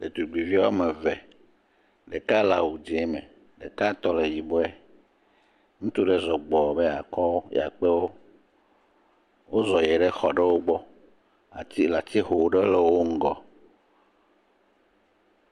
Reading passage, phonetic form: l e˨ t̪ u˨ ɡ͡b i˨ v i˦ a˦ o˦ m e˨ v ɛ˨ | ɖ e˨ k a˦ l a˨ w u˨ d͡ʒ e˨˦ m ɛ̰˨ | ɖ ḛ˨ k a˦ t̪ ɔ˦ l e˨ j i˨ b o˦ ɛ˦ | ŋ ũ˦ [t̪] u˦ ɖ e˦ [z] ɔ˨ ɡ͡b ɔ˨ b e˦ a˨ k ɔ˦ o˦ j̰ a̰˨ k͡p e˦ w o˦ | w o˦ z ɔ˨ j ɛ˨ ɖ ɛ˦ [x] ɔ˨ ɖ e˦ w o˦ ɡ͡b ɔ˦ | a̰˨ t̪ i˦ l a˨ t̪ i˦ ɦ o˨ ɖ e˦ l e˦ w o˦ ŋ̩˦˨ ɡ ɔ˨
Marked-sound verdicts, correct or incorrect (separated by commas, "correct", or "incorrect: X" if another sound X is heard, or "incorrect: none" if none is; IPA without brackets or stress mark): correct, correct, correct